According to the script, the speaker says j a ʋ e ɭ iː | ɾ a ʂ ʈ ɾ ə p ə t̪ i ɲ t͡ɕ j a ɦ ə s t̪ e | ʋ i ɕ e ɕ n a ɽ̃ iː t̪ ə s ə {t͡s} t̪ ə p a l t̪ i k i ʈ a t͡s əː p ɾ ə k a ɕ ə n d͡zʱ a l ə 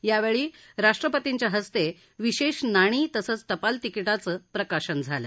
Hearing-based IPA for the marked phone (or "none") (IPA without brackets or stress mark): t͡s